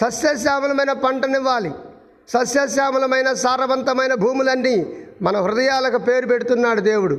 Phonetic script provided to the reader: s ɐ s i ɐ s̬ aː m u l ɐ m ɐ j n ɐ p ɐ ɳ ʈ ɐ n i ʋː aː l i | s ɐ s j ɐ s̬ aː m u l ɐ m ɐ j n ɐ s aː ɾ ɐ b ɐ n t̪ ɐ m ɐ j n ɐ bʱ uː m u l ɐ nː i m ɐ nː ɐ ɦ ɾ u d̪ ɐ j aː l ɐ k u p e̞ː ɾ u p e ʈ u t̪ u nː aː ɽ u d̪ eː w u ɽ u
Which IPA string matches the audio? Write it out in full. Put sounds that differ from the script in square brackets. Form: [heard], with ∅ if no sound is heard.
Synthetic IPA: s ɐ s [j] ɐ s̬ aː m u l ɐ m ɐ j n ɐ p ɐ ɳ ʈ ɐ n i ʋː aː l i | s ɐ s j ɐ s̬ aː m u l ɐ m ɐ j n ɐ s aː ɾ ɐ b ɐ n t̪ ɐ m ɐ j n ɐ bʱ uː m u l ɐ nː i m ɐ [n] ɐ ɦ ɾ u d̪ ɐ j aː l ɐ k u p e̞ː ɾ u p e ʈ u t̪ u nː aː ɽ u d̪ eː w u ɽ u